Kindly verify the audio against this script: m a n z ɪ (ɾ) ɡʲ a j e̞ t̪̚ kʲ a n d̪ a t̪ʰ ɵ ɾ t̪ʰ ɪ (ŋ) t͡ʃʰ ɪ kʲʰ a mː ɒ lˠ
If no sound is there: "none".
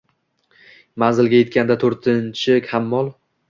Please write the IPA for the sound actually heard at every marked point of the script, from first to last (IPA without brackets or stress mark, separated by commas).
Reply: l, n